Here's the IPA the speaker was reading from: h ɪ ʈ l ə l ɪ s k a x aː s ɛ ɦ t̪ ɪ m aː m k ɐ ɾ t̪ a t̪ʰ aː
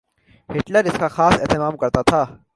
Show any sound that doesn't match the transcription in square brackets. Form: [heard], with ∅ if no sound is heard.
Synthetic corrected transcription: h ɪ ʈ l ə [ɾ] ɪ s k a x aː s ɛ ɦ t̪ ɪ m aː m k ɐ ɾ t̪ a t̪ʰ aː